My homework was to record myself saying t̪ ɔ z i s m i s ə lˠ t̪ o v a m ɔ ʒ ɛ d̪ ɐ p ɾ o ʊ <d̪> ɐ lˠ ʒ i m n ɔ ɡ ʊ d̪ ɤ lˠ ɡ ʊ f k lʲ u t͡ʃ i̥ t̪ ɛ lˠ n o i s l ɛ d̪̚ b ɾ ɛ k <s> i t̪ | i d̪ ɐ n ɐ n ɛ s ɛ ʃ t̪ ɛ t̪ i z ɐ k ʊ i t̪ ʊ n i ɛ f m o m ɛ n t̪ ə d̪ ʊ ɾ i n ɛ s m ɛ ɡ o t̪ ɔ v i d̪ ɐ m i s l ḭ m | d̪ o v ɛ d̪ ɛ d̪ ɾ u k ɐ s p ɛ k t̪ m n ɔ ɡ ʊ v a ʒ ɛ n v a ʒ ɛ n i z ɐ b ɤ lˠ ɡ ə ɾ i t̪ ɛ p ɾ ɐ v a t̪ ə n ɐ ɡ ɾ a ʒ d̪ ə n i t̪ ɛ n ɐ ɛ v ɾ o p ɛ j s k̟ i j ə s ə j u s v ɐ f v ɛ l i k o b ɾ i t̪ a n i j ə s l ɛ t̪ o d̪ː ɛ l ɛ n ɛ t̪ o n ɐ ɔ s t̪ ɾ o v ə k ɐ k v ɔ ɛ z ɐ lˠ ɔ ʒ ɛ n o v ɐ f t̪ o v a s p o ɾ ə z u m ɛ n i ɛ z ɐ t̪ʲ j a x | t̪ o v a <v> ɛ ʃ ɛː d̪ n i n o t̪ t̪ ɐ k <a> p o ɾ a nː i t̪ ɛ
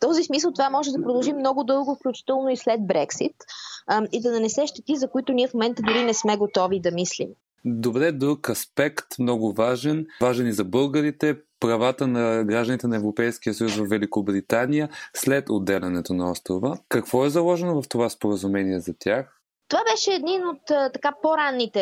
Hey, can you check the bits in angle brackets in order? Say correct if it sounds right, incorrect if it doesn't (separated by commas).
correct, correct, incorrect, correct